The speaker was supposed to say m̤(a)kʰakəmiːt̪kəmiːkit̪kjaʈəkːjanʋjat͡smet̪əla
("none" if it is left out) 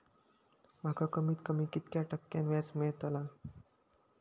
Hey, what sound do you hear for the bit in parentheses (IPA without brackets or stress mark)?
a